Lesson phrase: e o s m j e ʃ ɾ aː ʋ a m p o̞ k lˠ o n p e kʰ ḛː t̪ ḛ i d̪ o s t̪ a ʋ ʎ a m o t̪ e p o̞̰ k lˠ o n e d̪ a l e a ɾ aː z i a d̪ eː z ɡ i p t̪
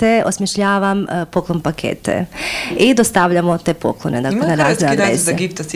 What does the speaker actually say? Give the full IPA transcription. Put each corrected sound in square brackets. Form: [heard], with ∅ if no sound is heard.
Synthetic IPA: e o s m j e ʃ [ʎ] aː ʋ a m p o̞ k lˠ o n p [a] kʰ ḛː t̪ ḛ i d̪ o s t̪ a ʋ ʎ a m o t̪ e p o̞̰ k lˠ o n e d̪ a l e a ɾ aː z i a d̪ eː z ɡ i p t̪